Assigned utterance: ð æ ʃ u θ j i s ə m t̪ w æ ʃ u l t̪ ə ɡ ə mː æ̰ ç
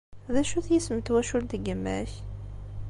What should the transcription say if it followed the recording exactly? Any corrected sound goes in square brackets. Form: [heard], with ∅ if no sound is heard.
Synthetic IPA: ð æ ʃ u θ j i s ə m t̪ w æ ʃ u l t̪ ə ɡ ə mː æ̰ ç